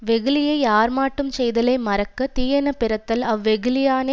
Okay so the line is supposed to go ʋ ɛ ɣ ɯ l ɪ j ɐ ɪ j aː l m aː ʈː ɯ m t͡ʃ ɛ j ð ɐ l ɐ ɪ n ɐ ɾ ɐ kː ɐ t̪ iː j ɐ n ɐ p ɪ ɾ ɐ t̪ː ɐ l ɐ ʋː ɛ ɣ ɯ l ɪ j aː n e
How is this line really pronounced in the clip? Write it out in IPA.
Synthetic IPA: ʋ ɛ ɣ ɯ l ɪ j ɐ ɪ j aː ɾ m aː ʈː ɯ m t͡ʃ ɛ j ð ɐ l ɐ ɪ m ɐ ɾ ɐ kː ɐ t̪ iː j ɐ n ɐ p ɪ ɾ ɐ t̪ː ɐ l ɐ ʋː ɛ ɣ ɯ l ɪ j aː n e